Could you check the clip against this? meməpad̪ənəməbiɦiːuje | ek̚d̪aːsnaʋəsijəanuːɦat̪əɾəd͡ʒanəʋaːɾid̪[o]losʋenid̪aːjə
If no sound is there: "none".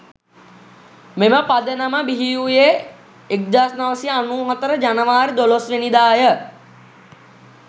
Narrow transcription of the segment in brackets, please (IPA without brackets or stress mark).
o